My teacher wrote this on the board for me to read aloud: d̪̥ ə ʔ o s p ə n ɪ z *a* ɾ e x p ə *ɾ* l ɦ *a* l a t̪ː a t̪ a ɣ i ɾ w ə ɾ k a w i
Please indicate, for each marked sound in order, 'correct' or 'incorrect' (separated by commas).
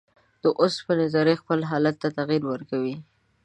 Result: incorrect, incorrect, incorrect